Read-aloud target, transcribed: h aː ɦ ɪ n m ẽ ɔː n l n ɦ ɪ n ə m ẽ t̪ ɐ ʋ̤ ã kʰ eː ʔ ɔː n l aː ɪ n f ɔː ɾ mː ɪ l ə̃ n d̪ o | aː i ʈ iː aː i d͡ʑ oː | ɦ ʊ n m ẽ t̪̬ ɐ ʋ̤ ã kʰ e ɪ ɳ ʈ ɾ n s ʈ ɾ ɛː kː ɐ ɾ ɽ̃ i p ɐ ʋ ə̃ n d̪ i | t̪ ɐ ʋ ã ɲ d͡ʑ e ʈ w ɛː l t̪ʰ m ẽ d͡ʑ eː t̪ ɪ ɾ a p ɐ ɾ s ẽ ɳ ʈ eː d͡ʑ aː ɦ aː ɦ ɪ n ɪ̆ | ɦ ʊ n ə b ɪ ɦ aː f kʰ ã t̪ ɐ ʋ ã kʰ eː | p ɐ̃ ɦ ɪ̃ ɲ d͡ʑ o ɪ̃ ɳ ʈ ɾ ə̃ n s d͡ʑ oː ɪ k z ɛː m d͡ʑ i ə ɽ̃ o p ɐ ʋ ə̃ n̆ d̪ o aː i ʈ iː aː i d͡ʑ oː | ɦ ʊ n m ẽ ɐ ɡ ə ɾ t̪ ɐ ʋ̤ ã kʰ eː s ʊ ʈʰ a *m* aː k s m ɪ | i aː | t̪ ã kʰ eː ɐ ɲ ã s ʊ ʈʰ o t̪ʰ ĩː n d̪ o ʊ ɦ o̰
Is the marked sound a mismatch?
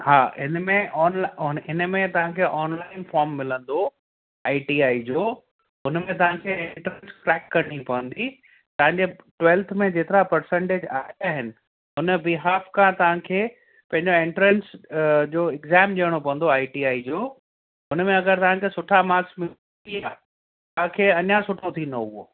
no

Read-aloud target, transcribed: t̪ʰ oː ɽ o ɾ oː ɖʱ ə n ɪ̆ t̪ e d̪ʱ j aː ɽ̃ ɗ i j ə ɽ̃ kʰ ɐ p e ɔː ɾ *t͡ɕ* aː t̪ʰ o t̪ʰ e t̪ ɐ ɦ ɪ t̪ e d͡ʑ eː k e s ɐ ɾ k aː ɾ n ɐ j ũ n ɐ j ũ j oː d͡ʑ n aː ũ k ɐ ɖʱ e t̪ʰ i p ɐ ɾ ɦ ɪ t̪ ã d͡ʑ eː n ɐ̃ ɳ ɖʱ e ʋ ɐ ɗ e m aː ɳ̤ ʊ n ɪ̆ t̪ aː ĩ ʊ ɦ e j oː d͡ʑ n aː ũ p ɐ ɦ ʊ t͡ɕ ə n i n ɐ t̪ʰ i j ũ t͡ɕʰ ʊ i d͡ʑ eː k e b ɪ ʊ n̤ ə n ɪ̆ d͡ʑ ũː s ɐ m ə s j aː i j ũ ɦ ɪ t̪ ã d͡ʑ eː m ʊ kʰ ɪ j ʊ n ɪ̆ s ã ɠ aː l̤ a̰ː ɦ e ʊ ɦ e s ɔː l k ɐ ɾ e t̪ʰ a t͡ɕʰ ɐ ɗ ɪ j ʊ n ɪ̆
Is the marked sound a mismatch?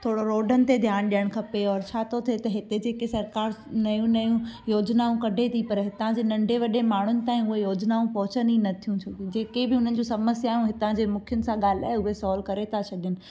yes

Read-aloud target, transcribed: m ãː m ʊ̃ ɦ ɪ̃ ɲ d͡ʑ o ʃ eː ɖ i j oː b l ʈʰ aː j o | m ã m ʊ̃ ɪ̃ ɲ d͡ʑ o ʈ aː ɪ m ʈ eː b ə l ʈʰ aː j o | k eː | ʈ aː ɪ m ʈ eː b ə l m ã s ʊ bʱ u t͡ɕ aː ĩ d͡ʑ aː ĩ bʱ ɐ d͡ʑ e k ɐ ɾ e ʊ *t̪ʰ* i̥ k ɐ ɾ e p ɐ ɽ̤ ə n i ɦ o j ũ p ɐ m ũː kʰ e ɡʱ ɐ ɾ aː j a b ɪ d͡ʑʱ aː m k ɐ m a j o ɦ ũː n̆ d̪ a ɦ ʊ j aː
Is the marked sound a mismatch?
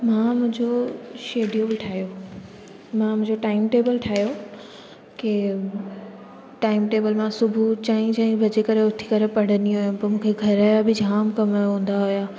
no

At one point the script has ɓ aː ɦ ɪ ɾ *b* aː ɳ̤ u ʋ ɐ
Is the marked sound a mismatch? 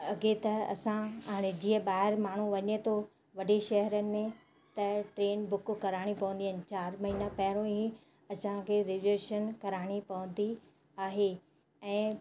yes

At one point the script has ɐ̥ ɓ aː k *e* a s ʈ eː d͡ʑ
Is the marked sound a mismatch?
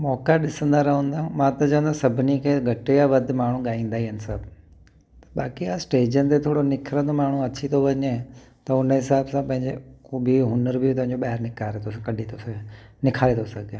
yes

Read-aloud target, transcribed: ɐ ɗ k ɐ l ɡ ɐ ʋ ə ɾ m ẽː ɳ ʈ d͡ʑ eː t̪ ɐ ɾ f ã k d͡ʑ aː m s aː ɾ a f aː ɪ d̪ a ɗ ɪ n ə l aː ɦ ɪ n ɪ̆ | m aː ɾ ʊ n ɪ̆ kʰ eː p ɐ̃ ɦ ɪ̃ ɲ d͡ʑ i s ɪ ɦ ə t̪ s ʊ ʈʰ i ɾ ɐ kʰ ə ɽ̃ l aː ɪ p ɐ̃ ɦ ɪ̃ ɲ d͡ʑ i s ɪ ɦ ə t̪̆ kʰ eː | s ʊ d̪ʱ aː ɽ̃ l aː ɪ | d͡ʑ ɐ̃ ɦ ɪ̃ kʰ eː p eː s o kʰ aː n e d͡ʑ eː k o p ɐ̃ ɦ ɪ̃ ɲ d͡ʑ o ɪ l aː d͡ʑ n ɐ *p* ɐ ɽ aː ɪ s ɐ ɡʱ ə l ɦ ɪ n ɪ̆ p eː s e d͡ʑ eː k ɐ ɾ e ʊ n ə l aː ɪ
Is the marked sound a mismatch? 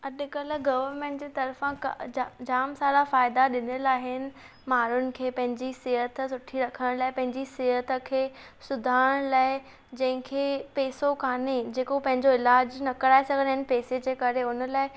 yes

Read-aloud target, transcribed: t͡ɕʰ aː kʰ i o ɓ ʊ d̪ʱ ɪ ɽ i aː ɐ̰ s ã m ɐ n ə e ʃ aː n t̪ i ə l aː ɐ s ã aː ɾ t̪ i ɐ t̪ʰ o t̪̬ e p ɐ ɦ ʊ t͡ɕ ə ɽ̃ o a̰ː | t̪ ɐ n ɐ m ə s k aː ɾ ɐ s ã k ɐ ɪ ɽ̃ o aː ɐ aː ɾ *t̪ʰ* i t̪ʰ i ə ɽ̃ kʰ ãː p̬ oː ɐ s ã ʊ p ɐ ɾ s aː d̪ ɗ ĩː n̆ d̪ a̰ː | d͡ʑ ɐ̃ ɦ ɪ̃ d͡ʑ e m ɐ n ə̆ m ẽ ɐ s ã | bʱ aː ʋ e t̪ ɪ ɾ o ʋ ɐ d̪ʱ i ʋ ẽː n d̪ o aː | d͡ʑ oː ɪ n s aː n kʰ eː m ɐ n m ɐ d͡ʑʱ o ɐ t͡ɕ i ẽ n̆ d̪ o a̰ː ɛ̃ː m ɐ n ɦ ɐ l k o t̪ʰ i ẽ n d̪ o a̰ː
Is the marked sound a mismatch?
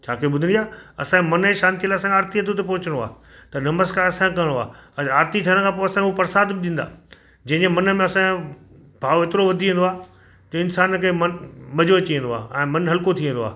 yes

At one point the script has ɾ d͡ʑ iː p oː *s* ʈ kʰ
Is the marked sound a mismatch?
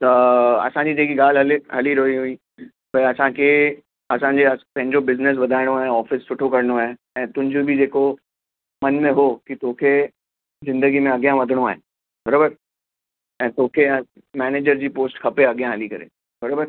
no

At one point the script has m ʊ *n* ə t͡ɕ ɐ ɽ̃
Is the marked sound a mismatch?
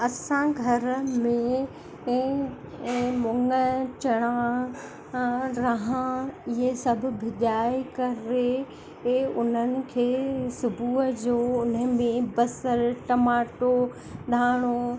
yes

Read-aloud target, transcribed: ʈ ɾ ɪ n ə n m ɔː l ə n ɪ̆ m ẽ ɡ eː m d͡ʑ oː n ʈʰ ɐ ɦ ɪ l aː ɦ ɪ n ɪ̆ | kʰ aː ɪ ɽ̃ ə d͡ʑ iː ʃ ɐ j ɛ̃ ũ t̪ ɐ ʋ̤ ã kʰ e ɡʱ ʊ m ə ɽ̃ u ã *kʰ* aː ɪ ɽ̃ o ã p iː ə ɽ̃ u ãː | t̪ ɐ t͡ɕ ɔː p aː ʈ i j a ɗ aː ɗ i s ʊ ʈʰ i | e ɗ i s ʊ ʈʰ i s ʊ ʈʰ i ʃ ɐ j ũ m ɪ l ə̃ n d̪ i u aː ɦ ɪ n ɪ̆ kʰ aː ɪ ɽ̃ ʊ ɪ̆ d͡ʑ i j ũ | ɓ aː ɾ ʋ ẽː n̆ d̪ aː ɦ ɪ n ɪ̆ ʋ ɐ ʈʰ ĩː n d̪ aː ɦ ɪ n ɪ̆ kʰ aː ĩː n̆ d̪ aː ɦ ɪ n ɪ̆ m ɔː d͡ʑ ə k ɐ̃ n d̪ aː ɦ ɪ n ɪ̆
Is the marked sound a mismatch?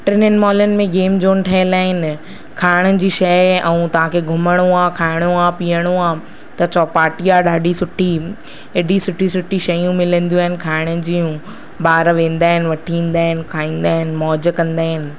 no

